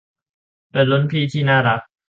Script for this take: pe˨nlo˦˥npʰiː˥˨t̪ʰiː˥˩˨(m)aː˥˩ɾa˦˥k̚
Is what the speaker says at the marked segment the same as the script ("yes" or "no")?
no